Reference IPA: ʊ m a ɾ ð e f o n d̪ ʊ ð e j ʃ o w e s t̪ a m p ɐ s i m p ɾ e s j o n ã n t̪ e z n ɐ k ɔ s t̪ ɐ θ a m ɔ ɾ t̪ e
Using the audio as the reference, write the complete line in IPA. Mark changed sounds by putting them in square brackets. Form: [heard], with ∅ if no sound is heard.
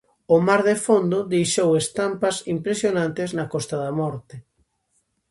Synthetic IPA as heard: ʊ m a ɾ ð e f o n d̪ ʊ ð e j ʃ o w e s t̪ a m p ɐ s i m p ɾ e s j o n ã n t̪ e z n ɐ k ɔ s t̪ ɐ [ð] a m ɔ ɾ t̪ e